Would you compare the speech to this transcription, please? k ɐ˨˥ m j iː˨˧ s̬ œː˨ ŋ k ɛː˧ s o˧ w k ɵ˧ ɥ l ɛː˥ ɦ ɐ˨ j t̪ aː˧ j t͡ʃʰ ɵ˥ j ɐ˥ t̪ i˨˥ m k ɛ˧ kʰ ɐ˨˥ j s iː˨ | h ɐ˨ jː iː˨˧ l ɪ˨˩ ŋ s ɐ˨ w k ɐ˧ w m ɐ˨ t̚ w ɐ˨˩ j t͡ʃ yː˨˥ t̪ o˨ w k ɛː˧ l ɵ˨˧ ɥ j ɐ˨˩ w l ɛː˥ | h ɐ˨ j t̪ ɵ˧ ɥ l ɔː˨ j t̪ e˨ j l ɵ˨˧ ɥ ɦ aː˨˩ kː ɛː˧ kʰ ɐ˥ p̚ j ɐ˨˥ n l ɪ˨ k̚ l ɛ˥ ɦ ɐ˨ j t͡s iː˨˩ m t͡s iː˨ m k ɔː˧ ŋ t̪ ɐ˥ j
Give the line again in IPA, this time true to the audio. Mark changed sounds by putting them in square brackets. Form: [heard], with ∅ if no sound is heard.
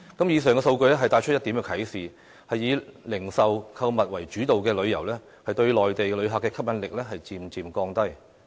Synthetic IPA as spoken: k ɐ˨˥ m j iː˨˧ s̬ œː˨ ŋ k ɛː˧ s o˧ w k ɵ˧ ɥ l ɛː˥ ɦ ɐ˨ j t̪ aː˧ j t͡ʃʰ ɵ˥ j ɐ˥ t̪ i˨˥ m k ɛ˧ kʰ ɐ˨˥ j s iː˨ | h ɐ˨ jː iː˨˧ l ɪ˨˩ ŋ s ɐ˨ w [kʰ] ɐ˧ w m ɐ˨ t̚ w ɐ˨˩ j t͡ʃ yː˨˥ t̪ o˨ w k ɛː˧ l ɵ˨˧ ɥ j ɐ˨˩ w l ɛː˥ | h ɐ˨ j t̪ ɵ˧ ɥ l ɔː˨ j t̪ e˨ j l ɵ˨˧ ɥ ɦ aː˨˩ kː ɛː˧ kʰ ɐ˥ p̚ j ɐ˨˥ n l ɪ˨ k̚ l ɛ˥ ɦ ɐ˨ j t͡s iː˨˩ m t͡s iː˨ m k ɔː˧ ŋ t̪ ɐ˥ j